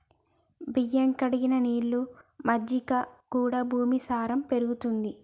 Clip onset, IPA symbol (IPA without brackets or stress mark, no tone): b